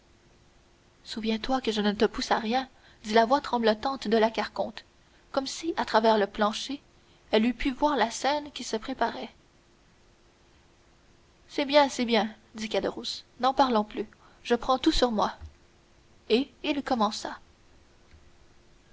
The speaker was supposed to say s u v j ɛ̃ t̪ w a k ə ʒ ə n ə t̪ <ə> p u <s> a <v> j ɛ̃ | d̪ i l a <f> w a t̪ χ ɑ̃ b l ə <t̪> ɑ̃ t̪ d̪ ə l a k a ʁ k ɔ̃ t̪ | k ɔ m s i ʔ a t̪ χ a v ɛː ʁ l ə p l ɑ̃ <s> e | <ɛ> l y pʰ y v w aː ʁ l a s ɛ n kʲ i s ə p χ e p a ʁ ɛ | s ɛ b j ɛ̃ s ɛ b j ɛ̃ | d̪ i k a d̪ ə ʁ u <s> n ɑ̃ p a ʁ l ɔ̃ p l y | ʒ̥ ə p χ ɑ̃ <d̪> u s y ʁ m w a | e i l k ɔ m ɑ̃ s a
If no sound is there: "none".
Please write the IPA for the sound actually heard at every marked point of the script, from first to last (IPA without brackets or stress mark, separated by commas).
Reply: ə, s, ʁ, v, t̪, ʃ, ɛ, s, t̪